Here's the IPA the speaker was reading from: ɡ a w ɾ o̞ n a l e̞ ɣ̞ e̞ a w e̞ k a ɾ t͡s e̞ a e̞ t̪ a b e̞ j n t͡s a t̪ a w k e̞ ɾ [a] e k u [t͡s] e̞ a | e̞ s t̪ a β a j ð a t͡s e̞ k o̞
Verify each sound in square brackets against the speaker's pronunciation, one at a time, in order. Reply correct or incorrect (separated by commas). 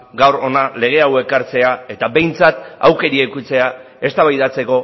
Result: incorrect, correct